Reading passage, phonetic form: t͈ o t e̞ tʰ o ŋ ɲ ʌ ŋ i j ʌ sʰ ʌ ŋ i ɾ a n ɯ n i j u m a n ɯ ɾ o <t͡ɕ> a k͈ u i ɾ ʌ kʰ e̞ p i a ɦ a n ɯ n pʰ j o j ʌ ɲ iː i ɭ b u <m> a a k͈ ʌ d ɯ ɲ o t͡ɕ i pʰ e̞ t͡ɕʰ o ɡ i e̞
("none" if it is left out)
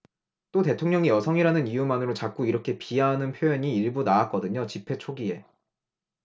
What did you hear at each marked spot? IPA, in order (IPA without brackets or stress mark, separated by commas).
t͡ɕ, n